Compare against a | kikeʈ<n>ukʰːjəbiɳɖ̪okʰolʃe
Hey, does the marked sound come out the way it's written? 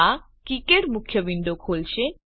no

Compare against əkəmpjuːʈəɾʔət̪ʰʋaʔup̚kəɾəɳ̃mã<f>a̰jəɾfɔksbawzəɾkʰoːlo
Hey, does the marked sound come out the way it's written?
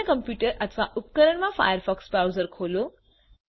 yes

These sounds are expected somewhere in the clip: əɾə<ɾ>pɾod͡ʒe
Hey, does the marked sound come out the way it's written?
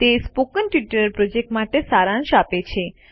yes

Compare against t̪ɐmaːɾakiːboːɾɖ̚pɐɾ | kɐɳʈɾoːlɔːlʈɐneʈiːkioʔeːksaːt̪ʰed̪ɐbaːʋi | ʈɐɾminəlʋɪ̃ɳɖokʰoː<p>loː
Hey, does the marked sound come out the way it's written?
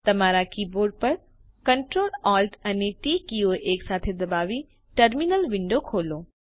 no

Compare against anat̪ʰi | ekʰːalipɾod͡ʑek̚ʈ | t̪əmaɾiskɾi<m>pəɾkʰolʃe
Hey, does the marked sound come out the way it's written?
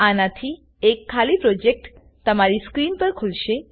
no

